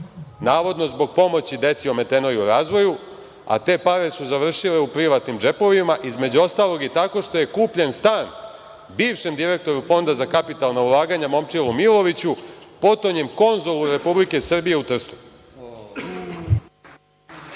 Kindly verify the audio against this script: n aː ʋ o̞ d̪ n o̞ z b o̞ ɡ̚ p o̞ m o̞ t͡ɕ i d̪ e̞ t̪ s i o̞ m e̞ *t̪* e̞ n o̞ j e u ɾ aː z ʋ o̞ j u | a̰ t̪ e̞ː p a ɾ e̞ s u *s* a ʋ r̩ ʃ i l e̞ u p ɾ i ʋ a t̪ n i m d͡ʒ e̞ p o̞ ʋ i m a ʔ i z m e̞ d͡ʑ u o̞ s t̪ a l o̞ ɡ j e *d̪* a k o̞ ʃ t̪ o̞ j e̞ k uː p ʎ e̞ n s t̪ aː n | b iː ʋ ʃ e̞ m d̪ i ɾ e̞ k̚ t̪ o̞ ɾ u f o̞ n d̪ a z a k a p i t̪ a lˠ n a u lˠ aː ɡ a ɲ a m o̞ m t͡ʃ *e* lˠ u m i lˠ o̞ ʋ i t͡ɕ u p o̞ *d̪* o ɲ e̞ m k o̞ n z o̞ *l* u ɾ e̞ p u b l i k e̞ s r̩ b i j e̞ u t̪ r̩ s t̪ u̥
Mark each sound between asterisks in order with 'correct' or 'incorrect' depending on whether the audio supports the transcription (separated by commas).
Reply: correct, incorrect, incorrect, incorrect, incorrect, correct